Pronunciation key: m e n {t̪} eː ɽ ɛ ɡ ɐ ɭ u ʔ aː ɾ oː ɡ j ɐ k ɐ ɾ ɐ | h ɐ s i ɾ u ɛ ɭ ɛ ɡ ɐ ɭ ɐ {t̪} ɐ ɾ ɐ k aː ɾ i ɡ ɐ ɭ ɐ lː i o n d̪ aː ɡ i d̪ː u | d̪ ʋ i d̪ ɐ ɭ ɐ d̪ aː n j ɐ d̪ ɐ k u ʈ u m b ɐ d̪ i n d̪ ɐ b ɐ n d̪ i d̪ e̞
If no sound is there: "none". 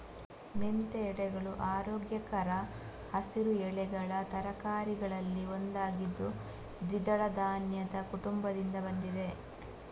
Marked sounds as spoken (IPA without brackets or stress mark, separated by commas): t̪, t̪